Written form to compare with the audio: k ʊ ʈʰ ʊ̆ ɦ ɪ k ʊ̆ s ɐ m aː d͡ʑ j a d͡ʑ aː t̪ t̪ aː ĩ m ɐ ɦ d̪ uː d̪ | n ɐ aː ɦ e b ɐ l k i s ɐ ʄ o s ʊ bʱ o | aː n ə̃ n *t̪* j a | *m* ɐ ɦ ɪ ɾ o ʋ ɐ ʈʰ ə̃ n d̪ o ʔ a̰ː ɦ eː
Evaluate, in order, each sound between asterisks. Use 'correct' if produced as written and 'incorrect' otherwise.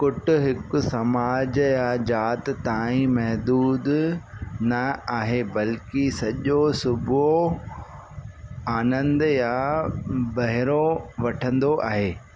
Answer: incorrect, incorrect

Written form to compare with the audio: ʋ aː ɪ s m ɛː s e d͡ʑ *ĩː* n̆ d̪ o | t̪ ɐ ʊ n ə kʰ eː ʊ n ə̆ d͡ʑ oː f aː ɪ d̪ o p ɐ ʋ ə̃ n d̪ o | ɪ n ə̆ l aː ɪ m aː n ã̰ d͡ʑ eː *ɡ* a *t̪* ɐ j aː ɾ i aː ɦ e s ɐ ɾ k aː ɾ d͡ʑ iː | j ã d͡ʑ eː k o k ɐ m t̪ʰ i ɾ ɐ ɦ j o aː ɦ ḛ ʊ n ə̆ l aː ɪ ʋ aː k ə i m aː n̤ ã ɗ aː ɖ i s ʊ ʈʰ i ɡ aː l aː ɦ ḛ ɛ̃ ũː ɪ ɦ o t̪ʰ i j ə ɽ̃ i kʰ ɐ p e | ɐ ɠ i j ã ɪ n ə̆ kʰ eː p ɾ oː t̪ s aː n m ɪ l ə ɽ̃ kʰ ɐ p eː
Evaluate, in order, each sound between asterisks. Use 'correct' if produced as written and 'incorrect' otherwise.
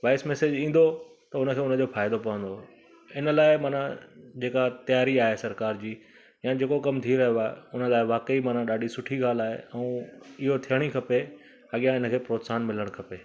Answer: correct, incorrect, correct

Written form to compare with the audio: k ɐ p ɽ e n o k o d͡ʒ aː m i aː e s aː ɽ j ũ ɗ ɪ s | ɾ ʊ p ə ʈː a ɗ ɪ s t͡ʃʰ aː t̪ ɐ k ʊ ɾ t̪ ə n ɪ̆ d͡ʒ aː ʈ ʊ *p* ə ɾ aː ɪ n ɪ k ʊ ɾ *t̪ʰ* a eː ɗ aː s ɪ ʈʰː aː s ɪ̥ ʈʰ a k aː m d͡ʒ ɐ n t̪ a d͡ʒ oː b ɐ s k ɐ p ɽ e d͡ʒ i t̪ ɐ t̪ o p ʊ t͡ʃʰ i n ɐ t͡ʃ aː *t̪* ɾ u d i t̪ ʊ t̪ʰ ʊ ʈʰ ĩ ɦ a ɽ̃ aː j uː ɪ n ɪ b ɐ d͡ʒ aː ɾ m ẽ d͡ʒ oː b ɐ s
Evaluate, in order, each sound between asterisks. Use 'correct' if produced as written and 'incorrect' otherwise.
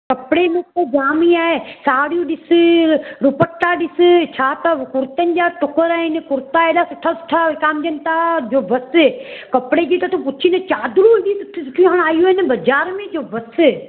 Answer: incorrect, incorrect, incorrect

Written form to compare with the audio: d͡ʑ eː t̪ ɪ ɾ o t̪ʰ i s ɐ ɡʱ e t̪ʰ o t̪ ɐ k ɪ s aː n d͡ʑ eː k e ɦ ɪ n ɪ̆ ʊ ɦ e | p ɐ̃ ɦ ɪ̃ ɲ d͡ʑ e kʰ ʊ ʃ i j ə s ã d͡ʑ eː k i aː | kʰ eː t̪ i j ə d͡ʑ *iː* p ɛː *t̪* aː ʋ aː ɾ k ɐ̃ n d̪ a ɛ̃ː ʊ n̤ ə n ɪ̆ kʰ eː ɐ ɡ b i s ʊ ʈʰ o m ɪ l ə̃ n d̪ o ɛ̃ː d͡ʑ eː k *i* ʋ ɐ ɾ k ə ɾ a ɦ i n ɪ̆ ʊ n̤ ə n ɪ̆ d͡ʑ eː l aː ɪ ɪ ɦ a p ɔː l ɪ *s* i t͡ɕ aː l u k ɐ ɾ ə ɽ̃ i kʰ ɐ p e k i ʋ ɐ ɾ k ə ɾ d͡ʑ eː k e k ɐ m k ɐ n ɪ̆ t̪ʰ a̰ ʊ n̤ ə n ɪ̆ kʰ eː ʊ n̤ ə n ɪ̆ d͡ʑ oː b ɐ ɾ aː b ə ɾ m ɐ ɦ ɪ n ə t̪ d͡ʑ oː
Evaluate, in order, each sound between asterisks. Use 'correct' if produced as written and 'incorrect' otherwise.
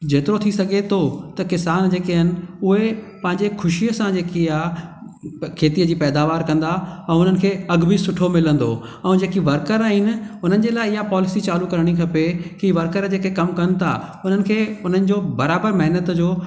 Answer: correct, incorrect, correct, correct

